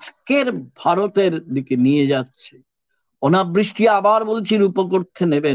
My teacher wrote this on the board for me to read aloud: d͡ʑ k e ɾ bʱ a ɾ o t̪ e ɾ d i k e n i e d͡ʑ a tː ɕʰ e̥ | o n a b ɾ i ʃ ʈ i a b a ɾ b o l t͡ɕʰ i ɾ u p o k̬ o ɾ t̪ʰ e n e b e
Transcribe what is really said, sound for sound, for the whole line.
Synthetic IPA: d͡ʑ k e ɾ bʱ a ɾ o t̪ e ɾ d i k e n i e d͡ʑ a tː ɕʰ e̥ | o n a b ɾ i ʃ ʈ i a b a ɾ b o l t͡ɕʰ i ɾ u p o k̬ o ɾ t̪ʰ e n e b e